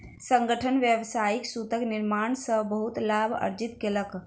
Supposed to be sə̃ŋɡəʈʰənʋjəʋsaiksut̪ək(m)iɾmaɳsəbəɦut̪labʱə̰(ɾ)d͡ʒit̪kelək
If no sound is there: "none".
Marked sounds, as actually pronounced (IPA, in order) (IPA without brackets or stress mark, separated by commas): n, ɾ